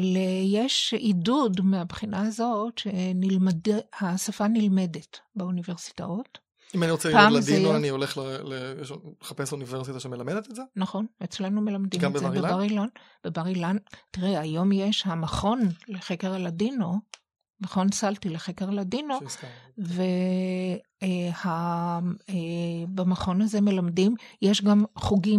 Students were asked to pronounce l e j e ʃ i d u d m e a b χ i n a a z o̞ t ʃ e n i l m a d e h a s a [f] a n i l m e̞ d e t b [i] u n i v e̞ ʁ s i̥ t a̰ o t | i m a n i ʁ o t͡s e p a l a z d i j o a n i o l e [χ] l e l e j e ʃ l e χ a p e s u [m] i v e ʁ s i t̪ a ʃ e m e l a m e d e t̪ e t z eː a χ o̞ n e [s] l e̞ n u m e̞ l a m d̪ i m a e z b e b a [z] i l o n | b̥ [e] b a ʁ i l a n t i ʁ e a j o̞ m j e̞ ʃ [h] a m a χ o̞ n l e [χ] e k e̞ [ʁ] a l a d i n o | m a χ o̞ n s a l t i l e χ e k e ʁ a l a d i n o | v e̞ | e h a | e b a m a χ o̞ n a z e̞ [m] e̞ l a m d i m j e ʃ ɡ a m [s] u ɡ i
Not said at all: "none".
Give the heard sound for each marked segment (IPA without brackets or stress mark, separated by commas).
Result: f, e, χ, n, t͡s, ʁ, e, h, χ, ʁ, m, χ